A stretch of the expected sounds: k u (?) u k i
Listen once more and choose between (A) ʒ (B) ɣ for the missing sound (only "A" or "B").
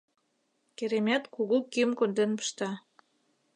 B